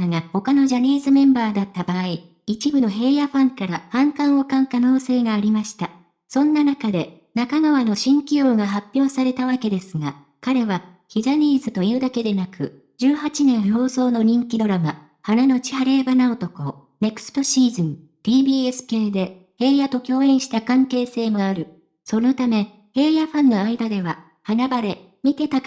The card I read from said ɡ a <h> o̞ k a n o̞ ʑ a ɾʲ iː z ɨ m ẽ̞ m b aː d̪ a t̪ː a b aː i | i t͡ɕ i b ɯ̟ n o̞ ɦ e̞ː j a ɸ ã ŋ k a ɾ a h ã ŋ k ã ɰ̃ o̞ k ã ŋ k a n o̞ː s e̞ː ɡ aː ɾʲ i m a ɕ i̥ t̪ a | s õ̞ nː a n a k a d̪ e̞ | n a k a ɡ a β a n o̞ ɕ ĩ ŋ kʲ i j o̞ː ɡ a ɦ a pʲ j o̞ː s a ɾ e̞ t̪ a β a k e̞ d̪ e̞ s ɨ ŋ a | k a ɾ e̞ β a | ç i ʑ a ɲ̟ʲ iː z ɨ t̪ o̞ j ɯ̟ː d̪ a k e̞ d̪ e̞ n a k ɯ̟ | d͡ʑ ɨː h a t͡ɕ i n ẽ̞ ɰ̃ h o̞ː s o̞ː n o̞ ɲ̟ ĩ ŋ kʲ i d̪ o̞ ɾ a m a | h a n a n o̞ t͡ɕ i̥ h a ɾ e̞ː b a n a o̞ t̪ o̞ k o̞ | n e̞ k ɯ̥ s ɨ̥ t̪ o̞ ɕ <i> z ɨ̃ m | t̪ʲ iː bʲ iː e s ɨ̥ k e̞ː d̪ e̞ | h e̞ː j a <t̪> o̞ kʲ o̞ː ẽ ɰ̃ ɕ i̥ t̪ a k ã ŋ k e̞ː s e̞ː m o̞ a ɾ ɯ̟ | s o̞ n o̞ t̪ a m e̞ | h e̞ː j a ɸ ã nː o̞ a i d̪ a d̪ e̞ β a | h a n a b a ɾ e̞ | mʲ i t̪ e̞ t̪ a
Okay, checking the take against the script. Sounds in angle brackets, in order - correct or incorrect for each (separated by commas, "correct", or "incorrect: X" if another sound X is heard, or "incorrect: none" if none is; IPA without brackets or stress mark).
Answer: correct, incorrect: iː, correct